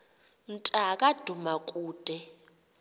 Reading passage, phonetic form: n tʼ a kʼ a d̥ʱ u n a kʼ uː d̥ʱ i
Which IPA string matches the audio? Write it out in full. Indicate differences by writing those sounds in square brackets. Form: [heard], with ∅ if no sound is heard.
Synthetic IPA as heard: n tʼ a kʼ a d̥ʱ u [m] a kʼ uː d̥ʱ [ɛ]